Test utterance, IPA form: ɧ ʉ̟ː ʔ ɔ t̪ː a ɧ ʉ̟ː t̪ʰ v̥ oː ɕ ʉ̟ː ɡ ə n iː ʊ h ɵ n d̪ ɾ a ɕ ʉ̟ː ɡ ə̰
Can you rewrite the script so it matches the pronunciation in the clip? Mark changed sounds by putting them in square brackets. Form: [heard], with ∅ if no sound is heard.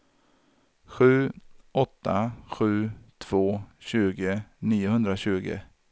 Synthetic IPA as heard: ɧ ʉ̟ː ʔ ɔ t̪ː a ɧ ʉ̟ː t̪ʰ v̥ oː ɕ ʉ̟ː ɡ ə n iː ʊ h ɵ n d̪ ɾ a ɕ ʉ̟ː ɡ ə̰